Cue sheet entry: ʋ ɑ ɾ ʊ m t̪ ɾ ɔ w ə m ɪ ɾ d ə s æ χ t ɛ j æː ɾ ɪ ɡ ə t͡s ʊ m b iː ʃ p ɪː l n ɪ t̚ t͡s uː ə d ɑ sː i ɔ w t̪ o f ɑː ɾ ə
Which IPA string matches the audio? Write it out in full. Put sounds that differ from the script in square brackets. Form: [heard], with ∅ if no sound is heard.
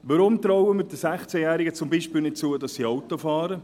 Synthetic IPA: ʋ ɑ ɾ ʊ m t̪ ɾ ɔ w ə m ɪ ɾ d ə s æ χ [t͡s] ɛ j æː ɾ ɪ ɡ ə t͡s ʊ m b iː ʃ p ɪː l n ɪ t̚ t͡s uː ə d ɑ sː i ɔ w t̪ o f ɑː ɾ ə